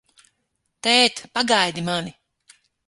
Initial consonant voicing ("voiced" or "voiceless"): voiceless